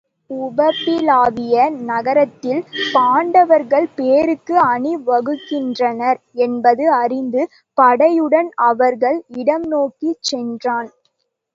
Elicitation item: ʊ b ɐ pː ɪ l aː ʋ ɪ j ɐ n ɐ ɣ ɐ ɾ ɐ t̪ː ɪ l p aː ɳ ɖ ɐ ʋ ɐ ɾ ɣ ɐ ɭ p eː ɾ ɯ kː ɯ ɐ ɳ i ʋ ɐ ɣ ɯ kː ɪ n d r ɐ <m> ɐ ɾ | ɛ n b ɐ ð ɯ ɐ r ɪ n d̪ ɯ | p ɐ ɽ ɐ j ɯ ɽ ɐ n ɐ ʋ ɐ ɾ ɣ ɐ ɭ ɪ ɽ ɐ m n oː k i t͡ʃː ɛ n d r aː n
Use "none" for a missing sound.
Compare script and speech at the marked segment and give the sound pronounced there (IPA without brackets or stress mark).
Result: n